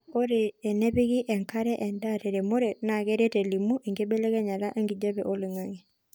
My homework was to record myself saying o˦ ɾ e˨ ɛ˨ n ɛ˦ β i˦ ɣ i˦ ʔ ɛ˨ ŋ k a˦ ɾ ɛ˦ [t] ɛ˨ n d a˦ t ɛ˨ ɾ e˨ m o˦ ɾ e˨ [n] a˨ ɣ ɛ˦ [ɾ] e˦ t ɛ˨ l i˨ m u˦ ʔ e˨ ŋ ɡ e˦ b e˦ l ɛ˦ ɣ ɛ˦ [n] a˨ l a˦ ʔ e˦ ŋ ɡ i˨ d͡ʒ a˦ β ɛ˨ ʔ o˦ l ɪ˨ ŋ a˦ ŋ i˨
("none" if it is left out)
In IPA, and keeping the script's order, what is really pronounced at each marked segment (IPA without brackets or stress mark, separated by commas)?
ʔ, n, ɾ, ɲ